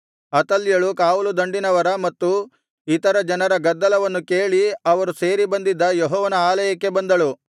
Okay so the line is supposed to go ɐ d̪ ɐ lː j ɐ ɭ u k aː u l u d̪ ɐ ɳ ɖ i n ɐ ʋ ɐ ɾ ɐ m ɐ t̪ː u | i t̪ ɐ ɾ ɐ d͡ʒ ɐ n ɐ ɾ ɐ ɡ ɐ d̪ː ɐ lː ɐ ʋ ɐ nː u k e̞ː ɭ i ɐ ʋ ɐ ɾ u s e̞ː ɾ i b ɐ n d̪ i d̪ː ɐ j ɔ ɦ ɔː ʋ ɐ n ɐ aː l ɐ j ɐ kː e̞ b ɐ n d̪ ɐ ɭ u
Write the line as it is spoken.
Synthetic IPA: ɐ t̪ ɐ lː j ɐ ɭ u k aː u l u d̪ ɐ ɳ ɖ i n ɐ ʋ ɐ ɾ ɐ m ɐ t̪ː u | i t̪ ɐ ɾ ɐ d͡ʒ ɐ n ɐ ɾ ɐ ɡ ɐ d̪ː ɐ l ɐ ʋ ɐ nː u k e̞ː ɭ i ɐ ʋ ɐ ɾ u s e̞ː ɾ i b ɐ n d̪ i d̪ː ɐ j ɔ ɦ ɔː ʋ ɐ n ɐ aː l ɐ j ɐ kː e̞ b ɐ n d̪ ɐ ɭ u